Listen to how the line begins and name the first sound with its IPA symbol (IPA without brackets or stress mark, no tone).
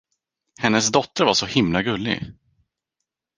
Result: h